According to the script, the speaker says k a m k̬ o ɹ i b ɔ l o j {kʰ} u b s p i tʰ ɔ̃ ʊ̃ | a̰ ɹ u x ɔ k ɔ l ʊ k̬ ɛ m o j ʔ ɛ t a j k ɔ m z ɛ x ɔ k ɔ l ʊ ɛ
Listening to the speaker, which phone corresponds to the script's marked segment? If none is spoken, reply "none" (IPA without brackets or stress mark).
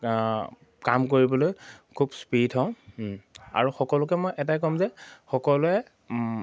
kʰ